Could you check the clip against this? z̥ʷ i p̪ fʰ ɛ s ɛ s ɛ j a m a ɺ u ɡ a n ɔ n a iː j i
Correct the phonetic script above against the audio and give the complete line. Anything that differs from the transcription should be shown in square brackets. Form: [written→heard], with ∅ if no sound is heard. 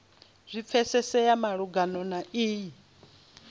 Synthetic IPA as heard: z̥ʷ i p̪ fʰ ɛ s ɛ s ɛ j a m a ɺ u ɡ a n ɔ n a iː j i